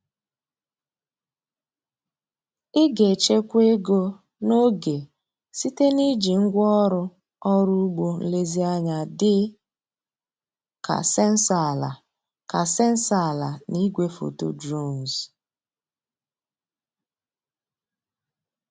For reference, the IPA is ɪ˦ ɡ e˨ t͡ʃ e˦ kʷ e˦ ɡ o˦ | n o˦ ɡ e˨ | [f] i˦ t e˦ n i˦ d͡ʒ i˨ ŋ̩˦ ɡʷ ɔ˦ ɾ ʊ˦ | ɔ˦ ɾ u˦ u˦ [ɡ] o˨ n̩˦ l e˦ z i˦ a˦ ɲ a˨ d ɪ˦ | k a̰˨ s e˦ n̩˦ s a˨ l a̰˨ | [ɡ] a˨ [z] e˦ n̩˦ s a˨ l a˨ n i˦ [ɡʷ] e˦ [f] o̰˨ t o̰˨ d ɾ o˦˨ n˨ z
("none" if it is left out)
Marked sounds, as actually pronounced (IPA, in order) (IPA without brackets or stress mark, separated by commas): s, ɡ͡b, k, s, ɡʷ, f